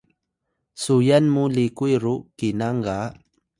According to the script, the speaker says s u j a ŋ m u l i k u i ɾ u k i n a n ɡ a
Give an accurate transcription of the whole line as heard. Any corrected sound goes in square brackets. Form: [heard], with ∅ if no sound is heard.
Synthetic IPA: s u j a [n] m u l i k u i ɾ u k i n a [ŋ] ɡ a